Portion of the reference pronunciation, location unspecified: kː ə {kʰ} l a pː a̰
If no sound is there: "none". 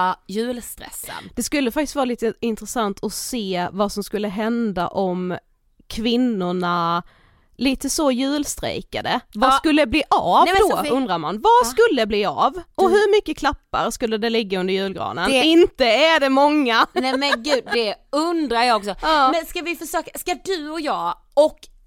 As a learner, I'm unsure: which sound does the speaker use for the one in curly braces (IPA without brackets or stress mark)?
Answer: kʰ